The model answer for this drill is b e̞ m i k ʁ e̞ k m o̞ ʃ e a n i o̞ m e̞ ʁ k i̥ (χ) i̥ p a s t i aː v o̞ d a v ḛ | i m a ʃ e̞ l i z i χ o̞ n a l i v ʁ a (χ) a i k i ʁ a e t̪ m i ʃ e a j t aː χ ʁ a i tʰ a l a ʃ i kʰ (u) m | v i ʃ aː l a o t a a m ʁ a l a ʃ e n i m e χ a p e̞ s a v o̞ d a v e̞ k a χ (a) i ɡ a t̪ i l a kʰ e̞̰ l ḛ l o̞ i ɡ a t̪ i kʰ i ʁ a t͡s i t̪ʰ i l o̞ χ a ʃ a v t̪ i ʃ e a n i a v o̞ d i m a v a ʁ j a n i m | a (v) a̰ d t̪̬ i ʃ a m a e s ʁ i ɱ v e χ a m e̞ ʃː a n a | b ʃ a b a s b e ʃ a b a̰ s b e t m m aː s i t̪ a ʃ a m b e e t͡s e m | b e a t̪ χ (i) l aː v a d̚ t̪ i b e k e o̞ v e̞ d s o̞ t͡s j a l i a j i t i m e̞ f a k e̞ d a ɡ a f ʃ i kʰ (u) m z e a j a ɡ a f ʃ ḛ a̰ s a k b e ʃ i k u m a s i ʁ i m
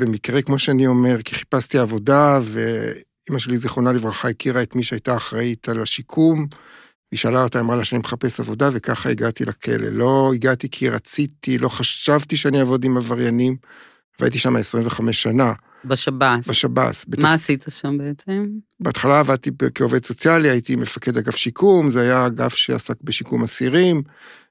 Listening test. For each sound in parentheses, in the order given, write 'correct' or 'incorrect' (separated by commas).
correct, correct, correct, correct, correct, incorrect, correct